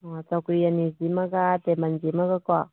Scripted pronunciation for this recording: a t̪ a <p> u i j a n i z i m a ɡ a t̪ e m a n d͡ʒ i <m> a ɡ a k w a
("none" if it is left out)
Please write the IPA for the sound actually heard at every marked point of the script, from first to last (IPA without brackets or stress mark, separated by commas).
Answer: k, m